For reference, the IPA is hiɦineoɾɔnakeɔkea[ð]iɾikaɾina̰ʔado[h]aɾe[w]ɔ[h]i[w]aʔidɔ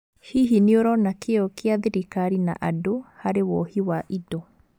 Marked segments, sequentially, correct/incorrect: correct, correct, correct, correct, correct

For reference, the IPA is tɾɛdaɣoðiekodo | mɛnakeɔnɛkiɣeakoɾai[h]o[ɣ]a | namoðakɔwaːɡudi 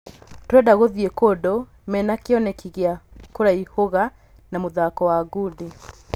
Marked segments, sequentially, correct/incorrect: correct, correct

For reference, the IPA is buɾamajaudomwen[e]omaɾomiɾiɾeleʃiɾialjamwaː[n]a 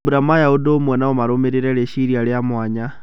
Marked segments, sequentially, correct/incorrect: incorrect: a, incorrect: ɲ

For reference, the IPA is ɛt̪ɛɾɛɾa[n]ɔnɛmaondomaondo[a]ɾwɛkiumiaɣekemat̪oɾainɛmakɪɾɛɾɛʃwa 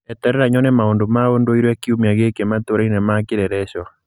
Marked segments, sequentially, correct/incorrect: incorrect: ɲ, incorrect: i

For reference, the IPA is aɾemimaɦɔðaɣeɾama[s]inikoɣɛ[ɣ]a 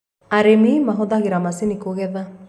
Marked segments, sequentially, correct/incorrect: correct, incorrect: ð

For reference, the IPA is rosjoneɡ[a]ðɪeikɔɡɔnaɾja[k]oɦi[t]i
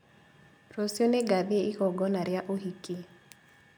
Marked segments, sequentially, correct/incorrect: correct, incorrect: ʔ, incorrect: k

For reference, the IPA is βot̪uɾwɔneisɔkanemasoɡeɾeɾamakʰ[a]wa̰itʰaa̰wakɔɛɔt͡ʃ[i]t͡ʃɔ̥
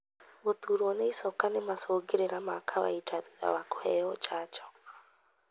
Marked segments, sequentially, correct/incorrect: correct, incorrect: a

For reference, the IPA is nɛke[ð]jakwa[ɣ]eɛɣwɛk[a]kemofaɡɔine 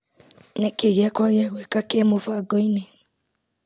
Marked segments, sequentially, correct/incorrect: incorrect: ɣ, correct, correct

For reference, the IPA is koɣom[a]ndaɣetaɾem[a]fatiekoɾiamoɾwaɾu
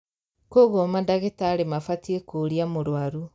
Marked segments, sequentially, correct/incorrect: correct, correct

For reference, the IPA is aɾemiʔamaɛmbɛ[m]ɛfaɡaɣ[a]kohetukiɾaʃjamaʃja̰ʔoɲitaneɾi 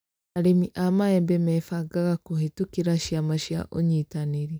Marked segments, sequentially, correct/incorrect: correct, correct

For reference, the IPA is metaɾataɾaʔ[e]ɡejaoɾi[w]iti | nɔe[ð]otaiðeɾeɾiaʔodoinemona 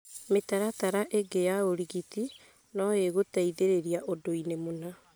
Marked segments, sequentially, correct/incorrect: correct, incorrect: ɣ, incorrect: ɣ

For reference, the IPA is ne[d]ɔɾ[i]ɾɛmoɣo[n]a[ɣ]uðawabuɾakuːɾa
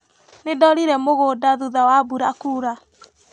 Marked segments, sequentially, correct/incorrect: correct, correct, incorrect: d, incorrect: ð

